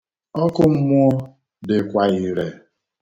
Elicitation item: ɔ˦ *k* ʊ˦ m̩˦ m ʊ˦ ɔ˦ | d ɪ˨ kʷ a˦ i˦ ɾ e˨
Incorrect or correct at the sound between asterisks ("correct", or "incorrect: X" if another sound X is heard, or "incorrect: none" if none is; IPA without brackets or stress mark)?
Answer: correct